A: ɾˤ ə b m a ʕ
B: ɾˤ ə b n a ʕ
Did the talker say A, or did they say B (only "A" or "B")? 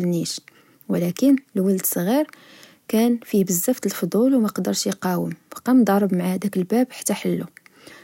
A